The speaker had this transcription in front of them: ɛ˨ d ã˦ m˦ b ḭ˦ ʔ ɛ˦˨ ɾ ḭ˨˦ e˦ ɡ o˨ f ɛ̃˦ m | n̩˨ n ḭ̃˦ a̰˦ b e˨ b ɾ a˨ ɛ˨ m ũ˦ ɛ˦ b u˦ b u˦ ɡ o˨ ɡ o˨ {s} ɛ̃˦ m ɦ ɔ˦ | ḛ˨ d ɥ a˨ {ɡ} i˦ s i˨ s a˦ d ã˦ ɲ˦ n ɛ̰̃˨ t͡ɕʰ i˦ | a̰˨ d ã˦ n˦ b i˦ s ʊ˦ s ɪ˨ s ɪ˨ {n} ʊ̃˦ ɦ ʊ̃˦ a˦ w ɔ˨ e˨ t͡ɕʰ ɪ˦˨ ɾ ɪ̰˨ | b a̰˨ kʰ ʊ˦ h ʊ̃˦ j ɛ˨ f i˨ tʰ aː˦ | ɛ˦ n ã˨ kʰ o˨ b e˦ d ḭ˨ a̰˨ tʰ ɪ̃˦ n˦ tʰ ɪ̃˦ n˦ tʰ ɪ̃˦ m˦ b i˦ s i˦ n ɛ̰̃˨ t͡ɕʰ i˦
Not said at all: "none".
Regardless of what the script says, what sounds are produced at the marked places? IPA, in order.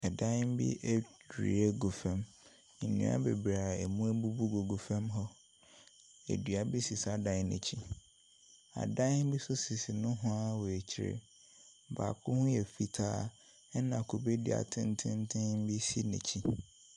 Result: f, b, n

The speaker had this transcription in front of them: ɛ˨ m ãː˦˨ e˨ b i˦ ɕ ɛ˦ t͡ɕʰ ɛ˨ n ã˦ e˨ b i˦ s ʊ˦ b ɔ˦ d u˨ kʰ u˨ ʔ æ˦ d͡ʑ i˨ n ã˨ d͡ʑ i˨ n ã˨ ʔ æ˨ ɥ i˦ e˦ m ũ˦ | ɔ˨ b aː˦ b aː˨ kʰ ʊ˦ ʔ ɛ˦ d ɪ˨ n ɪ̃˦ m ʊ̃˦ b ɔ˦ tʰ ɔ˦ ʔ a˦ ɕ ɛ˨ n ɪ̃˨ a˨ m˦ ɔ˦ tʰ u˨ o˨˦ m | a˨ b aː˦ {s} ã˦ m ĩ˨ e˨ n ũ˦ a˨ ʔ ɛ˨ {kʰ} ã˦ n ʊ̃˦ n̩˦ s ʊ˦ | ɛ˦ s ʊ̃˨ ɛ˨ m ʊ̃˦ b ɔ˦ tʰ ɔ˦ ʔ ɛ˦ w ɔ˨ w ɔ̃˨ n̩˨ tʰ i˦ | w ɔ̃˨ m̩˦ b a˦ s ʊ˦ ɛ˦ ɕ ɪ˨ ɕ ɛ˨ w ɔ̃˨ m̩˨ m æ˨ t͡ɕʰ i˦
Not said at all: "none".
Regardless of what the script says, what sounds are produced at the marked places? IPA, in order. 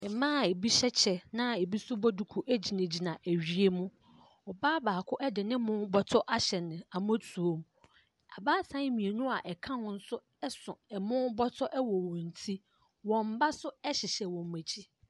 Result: s, kʰ

